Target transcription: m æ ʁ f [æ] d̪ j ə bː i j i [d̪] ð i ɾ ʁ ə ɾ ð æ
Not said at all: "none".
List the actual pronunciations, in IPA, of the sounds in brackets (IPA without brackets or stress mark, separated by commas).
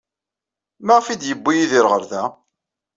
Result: i, none